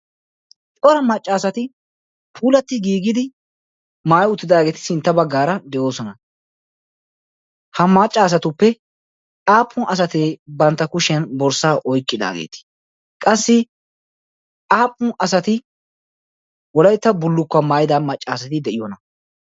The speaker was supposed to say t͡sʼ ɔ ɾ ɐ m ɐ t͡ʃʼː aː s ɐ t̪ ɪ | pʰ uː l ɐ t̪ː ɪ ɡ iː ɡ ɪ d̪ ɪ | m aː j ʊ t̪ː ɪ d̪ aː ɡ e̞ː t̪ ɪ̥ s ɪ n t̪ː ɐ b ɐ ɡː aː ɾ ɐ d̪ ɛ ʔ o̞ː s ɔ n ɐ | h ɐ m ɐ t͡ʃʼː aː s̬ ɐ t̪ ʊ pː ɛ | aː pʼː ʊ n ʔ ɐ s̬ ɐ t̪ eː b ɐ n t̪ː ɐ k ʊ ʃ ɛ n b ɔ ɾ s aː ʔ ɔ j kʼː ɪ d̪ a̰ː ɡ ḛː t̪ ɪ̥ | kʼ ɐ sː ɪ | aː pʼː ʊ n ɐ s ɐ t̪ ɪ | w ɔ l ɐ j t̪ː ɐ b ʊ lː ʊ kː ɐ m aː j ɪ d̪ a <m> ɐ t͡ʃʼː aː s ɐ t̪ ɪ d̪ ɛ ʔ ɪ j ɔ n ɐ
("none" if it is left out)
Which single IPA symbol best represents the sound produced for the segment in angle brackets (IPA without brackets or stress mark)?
m